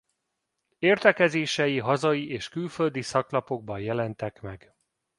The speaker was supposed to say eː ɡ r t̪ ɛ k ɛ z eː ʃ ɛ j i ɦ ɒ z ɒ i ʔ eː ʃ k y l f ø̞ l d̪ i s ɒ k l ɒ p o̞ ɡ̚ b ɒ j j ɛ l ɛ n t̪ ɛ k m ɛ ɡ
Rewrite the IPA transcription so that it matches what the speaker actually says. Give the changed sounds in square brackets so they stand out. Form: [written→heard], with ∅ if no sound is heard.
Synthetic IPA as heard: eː [ɡ→∅] r t̪ ɛ k ɛ z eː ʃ ɛ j i ɦ ɒ z ɒ i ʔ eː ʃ k y l f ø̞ l d̪ i s ɒ k l ɒ p o̞ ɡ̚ b ɒ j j ɛ l ɛ n t̪ ɛ k m ɛ ɡ

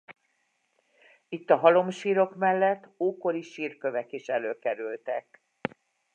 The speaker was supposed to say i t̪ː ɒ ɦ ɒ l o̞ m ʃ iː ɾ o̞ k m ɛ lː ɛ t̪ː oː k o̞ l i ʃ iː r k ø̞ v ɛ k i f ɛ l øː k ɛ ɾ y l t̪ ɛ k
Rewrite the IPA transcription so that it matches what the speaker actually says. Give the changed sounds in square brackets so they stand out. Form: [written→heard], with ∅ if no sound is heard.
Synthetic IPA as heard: i t̪ː ɒ ɦ ɒ l o̞ m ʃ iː ɾ o̞ k m ɛ lː ɛ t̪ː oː k o̞ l i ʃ iː r k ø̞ v ɛ k i [f→ʃ] ɛ l øː k ɛ ɾ y l t̪ ɛ k

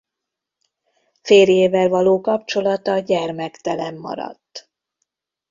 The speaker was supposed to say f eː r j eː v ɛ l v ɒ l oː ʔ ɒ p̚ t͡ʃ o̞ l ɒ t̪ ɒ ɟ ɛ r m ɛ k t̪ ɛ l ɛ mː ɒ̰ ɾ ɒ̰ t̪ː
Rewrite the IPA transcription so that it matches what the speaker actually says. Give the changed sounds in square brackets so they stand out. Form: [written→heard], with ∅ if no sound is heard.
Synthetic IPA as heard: f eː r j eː v ɛ l v ɒ l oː [ʔ→k] ɒ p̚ t͡ʃ o̞ l ɒ t̪ ɒ ɟ ɛ r m ɛ k t̪ ɛ l ɛ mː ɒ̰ ɾ ɒ̰ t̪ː

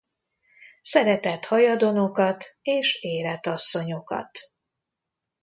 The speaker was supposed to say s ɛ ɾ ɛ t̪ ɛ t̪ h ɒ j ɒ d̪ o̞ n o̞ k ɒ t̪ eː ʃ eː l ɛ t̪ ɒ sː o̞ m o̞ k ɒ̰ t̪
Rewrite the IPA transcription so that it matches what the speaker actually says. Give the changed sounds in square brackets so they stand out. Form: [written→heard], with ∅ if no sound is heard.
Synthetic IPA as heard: s ɛ ɾ ɛ t̪ ɛ t̪ h ɒ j ɒ d̪ o̞ n o̞ k ɒ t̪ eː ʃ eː l ɛ t̪ ɒ sː o̞ [m→ɲ] o̞ k ɒ̰ t̪

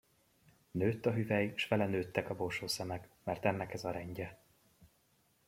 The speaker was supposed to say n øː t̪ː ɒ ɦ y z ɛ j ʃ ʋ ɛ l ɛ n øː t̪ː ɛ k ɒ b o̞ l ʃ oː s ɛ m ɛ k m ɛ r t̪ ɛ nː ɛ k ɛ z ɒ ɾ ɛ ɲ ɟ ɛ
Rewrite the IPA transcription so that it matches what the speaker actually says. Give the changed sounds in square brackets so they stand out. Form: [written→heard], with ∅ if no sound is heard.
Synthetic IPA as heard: n øː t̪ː ɒ ɦ y [z→v] ɛ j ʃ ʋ ɛ l ɛ n øː t̪ː ɛ k ɒ b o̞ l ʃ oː s ɛ m ɛ k m ɛ r t̪ ɛ nː ɛ k ɛ z ɒ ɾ ɛ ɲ ɟ ɛ

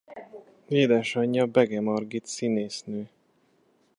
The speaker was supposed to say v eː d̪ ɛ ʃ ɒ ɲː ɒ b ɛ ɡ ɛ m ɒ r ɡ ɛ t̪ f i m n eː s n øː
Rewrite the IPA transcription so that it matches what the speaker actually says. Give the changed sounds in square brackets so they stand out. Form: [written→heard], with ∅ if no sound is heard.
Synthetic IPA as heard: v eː d̪ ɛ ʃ ɒ ɲː ɒ b ɛ ɡ ɛ m ɒ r ɡ [ɛ→i] t̪ [f→s] i [m→∅] n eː s n øː

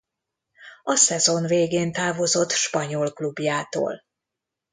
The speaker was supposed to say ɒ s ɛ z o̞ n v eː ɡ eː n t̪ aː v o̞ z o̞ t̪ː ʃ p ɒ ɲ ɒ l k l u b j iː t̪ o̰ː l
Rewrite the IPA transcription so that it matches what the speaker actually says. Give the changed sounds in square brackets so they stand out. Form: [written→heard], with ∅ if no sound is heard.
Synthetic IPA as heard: ɒ s ɛ z o̞ n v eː ɡ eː n t̪ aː v o̞ z o̞ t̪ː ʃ p ɒ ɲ [ɒ→o] l k l u b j [iː→aː] t̪ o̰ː l

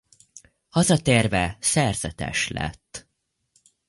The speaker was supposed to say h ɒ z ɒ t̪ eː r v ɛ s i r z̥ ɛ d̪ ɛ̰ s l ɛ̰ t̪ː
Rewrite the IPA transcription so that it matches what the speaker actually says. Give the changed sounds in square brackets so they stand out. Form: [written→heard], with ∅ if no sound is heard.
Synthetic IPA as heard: h ɒ z ɒ t̪ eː r v ɛ s [i→ɛ] r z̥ ɛ [d̪→t̪] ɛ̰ [s→ʃ] l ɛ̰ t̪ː

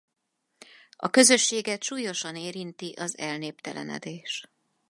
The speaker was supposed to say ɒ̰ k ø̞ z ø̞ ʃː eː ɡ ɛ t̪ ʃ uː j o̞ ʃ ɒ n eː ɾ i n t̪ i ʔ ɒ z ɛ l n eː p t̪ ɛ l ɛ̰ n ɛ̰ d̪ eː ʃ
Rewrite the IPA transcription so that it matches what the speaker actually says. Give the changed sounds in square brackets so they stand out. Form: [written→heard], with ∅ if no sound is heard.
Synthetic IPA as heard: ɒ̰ k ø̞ z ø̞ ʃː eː ɡ ɛ t̪ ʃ uː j o̞ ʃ ɒ n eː ɾ i n t̪ i ʔ ɒ z ɛ l n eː p t̪ ɛ l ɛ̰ n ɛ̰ d̪ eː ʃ

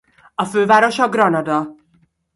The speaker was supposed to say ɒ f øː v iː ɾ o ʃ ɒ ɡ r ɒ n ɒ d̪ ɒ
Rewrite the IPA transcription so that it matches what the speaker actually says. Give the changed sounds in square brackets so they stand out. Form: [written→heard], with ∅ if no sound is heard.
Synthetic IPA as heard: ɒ f øː v [iː→aː] ɾ o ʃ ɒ ɡ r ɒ n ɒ d̪ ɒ

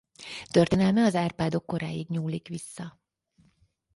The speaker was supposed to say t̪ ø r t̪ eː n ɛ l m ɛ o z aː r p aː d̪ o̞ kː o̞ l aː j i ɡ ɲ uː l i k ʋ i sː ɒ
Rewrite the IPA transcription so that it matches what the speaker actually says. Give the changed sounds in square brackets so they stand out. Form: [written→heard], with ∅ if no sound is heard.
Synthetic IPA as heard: t̪ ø r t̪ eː n ɛ l m ɛ [o→ɒ] z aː r p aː d̪ o̞ kː o̞ [l→ɾ] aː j i ɡ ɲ uː l i k ʋ i sː ɒ

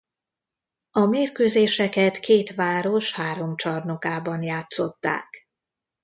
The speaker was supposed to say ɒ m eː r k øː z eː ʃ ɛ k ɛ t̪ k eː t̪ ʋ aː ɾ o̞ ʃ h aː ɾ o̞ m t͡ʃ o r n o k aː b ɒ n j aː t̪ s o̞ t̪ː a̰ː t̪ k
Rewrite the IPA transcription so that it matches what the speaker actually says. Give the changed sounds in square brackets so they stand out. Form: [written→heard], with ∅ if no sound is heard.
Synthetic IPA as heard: ɒ m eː r k øː z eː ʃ ɛ k ɛ t̪ k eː t̪ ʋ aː ɾ o̞ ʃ h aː ɾ o̞ m t͡ʃ [o→ɒ] r n o k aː b ɒ n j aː t̪ s o̞ t̪ː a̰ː [t̪→∅] k

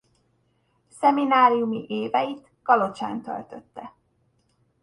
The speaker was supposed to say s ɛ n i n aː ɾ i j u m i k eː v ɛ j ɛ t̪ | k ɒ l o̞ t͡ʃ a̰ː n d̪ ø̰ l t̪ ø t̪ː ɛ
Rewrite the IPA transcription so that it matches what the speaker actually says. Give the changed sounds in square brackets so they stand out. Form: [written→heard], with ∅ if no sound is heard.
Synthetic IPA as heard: s ɛ [n→m] i n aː ɾ i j u m i [k→ʔ] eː v ɛ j [ɛ→i] t̪ | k ɒ l o̞ t͡ʃ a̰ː n [d̪→t̪] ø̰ l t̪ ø t̪ː ɛ

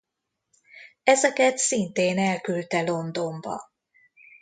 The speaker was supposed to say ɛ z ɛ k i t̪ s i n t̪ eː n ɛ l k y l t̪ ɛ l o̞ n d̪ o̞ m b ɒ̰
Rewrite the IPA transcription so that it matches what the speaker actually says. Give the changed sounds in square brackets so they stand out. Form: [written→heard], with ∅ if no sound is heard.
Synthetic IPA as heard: ɛ z ɛ k [i→ɛ] t̪ s i n t̪ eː n ɛ l k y l t̪ ɛ l o̞ n d̪ o̞ m b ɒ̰

